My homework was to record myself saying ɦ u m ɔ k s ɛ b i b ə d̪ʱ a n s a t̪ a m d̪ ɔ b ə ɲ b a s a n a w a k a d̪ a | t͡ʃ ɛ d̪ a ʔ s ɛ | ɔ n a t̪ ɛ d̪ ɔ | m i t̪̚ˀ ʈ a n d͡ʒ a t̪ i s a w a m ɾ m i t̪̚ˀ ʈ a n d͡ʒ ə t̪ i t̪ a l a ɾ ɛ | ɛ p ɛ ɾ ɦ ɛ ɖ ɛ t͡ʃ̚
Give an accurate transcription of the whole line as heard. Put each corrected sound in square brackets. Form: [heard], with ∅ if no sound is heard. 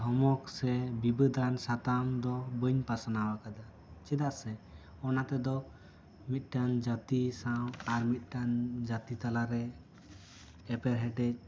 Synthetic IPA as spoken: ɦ [ɔ] m ɔ k s ɛ b i b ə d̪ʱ a n s a t̪ a m d̪ ɔ b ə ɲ [p] a s a n a w a k a d̪ a | t͡ʃ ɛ d̪ a ʔ s ɛ | ɔ n a t̪ ɛ d̪ ɔ | m i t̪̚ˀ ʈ a n d͡ʒ a t̪ i s a w a [∅] ɾ m i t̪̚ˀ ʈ a n d͡ʒ [a] t̪ i t̪ a l a ɾ ɛ | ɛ p ɛ ɾ ɦ ɛ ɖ ɛ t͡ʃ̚

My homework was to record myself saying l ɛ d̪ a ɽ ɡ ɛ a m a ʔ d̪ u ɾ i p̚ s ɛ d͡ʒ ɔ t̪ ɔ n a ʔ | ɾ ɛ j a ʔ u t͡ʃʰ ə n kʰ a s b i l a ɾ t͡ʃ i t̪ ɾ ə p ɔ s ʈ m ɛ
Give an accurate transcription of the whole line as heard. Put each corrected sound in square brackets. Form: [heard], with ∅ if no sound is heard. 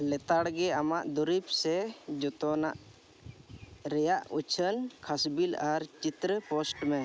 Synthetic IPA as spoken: l ɛ [t̪] a ɽ ɡ ɛ a m a ʔ d̪ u ɾ i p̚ s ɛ d͡ʒ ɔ t̪ ɔ n a ʔ | ɾ ɛ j a ʔ u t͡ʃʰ ə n kʰ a s b i l a ɾ t͡ʃ i t̪ ɾ ə p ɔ s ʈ m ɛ

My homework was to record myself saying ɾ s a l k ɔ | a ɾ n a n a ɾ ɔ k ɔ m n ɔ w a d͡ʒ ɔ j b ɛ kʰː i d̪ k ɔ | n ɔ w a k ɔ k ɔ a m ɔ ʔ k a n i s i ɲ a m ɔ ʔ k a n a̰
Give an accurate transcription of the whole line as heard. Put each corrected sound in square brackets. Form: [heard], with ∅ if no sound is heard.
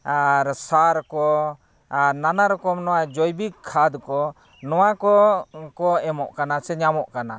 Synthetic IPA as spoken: ɾ s a [ɾ] k ɔ | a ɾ n a n a ɾ ɔ k ɔ m n ɔ w a d͡ʒ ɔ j b [i] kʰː [a] d̪ k ɔ | n ɔ w a k ɔ k ɔ [ɛ] m ɔ ʔ k a n [a] s [ɛ] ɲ a m ɔ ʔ k a n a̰

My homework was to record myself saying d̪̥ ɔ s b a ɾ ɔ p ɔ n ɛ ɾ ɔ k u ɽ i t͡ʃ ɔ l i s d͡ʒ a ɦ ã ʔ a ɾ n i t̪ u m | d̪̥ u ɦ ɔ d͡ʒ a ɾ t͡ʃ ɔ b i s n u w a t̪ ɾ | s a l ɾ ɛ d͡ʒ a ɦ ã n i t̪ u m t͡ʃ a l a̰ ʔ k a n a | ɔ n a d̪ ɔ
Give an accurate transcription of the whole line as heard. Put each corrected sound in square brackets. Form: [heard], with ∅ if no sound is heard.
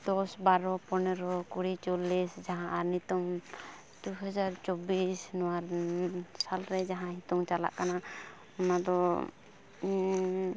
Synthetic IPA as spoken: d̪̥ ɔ s b a ɾ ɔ p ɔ n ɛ ɾ ɔ k u ɽ i t͡ʃ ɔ l i s d͡ʒ a ɦ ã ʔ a ɾ n i t̪ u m | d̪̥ u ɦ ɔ d͡ʒ a ɾ t͡ʃ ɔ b i s n [ɔ] w a [∅] ɾ | s a l ɾ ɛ d͡ʒ a ɦ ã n i t̪ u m t͡ʃ a l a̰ ʔ k a n a | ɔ n a d̪ ɔ

